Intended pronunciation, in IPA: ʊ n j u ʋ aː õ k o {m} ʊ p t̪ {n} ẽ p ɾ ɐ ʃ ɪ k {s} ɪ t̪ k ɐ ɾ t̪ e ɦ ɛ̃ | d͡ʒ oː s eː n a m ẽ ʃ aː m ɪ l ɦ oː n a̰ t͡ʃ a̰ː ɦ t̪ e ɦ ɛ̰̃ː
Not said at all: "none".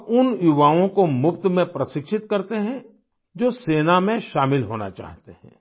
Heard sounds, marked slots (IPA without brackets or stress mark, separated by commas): m, m, ʃ